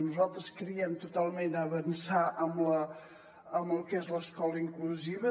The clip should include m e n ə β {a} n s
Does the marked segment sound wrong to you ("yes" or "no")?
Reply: yes